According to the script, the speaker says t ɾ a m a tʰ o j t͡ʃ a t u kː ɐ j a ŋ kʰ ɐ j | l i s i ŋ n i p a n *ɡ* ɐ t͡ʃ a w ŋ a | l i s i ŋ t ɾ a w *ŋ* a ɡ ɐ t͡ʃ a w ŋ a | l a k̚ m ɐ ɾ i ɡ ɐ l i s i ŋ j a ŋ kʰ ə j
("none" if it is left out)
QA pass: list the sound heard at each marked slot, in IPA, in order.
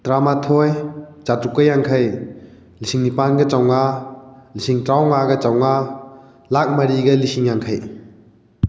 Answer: ɡ, ŋ

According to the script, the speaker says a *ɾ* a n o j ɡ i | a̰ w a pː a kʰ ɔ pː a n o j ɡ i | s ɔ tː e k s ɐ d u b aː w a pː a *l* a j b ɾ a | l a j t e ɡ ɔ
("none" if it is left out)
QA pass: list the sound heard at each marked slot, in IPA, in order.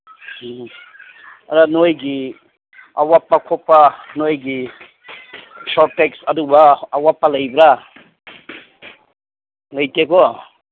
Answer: ɾ, l

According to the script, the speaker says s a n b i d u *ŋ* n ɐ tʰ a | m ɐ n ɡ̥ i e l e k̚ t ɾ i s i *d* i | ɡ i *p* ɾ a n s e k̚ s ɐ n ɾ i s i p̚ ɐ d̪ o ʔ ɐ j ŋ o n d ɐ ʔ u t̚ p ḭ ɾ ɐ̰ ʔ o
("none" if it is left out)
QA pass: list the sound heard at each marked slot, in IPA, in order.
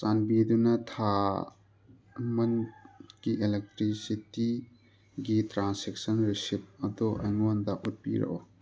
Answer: none, t, t

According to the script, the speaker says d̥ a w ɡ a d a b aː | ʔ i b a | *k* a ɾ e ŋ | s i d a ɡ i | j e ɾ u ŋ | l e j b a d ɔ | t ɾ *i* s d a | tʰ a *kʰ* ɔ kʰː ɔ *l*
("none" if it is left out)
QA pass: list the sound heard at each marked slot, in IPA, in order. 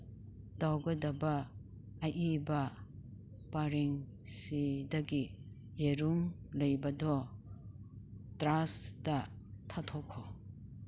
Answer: p, a, tʰ, none

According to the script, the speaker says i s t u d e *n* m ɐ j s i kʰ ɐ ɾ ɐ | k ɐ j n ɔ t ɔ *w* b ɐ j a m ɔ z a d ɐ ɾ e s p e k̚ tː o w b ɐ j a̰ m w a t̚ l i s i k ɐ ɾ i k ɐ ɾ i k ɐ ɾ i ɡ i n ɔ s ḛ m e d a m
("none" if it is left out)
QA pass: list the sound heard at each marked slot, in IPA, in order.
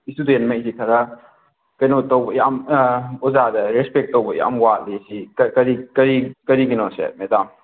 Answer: n, w

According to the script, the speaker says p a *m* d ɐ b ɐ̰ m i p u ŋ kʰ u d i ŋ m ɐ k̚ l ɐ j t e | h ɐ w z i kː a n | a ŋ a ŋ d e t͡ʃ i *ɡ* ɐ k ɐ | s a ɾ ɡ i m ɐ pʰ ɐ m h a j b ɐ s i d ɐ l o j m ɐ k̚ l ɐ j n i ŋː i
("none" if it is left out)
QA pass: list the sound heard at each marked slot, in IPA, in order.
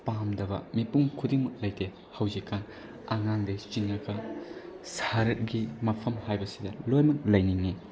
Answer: m, ŋ

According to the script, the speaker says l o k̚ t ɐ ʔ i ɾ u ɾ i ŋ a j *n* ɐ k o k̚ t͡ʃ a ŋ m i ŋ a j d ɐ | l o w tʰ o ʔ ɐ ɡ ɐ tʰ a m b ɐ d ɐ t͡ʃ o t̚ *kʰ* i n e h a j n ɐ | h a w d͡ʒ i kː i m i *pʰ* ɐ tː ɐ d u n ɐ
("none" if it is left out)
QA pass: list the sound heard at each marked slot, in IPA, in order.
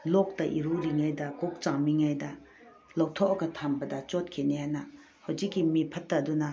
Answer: d, kʰ, pʰ

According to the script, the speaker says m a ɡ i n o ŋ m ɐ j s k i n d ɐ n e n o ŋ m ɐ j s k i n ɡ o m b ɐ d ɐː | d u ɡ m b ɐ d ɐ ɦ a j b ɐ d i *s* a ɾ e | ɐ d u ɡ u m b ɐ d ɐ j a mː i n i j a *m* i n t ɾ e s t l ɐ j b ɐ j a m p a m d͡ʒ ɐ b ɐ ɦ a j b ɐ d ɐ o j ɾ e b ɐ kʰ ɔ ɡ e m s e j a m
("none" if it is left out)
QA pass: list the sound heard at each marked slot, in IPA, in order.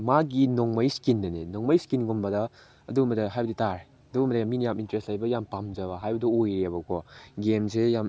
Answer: t, m

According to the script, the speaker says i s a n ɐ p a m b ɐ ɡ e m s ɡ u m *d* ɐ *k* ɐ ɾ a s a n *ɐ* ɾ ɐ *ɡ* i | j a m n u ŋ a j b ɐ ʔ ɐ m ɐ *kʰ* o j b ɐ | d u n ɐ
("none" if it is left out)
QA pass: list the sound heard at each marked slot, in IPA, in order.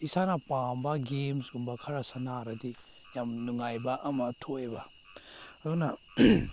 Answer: b, kʰ, a, d, tʰ

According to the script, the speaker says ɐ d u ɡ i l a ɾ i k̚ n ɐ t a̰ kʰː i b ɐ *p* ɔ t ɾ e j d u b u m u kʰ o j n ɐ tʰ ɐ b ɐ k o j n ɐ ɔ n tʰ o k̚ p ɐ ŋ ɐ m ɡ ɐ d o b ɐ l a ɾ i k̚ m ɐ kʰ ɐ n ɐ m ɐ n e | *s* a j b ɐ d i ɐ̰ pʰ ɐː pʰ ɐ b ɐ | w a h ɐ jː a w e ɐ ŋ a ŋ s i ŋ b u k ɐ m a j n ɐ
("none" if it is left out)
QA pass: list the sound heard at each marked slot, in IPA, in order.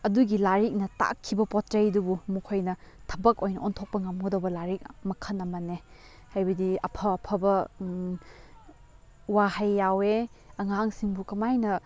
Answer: p, h

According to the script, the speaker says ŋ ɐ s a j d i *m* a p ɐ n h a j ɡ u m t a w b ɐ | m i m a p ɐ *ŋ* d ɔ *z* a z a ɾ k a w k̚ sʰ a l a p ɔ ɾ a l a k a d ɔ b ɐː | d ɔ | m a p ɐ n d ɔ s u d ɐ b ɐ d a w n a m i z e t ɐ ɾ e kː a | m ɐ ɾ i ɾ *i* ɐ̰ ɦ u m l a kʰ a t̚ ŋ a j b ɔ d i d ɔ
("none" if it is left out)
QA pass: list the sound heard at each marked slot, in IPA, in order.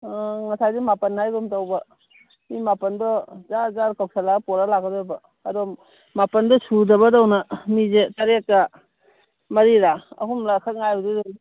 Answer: m, n, z, a

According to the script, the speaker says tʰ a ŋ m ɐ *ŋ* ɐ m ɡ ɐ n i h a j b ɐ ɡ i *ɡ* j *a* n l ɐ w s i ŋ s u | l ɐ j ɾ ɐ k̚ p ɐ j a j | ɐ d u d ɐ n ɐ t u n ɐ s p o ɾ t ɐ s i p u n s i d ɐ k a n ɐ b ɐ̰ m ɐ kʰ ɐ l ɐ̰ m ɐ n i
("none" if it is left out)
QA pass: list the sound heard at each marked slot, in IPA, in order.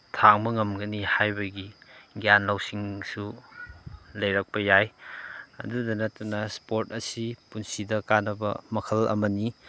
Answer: ŋ, ɡ, a

